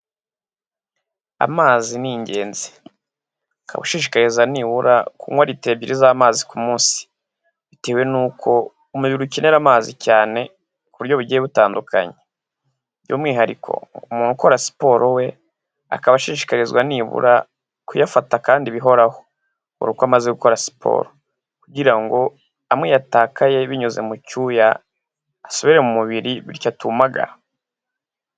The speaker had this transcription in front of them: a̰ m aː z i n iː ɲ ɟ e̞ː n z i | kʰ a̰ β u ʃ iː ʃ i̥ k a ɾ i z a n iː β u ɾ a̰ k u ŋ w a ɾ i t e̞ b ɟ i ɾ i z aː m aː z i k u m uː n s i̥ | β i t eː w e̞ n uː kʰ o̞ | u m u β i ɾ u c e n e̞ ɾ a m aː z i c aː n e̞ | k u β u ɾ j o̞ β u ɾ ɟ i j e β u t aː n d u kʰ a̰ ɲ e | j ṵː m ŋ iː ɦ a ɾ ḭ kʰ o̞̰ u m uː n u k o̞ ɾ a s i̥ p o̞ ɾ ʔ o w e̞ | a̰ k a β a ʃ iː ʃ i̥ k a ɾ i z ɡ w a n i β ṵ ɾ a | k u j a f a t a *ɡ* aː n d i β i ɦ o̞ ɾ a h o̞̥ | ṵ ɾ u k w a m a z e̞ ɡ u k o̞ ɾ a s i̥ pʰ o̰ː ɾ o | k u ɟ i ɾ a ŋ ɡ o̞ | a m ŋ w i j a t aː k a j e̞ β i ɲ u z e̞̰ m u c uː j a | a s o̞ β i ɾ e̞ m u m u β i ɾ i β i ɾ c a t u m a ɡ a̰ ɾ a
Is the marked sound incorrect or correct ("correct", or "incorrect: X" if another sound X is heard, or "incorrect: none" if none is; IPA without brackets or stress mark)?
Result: incorrect: k